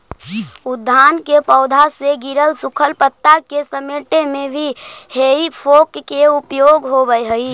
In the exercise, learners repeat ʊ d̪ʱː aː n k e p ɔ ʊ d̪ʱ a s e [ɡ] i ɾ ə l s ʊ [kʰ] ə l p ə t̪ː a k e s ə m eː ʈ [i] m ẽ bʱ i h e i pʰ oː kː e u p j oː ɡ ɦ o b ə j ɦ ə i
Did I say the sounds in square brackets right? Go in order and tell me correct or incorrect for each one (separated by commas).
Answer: correct, correct, incorrect